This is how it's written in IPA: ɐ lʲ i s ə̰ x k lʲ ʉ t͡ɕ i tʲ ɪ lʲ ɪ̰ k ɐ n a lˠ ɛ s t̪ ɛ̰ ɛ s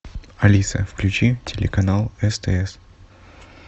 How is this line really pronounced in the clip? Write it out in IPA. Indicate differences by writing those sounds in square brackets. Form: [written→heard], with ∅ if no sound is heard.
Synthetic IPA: ɐ lʲ i s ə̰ [x→f] k lʲ ʉ t͡ɕ i tʲ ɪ lʲ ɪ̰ k ɐ n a lˠ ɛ s t̪ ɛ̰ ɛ s